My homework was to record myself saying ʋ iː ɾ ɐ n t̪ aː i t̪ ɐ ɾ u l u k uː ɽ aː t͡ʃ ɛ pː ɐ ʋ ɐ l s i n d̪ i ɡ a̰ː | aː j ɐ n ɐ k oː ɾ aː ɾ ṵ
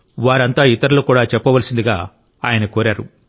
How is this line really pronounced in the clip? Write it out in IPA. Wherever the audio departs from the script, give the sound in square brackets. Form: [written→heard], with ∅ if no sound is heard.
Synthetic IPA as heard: ʋ [iː→aː] ɾ ɐ n t̪ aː i t̪ ɐ ɾ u l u k uː ɽ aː t͡ʃ ɛ pː ɐ ʋ ɐ l s i n d̪ i ɡ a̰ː | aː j ɐ n ɐ k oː ɾ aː ɾ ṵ